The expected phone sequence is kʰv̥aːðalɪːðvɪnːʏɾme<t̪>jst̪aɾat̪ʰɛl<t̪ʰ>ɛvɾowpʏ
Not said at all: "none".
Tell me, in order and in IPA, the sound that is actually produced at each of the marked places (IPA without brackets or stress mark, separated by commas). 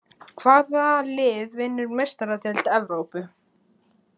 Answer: none, t̪